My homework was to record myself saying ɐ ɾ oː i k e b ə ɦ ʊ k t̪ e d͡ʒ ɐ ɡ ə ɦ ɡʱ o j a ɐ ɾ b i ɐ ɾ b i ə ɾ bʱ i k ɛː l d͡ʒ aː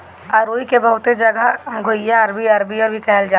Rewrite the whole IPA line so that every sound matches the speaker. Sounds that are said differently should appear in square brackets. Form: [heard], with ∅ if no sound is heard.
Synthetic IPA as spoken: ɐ ɾ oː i k e b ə ɦ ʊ [∅] t̪ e d͡ʒ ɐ ɡ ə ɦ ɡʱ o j a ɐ ɾ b i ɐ ɾ b i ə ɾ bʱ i k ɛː l d͡ʒ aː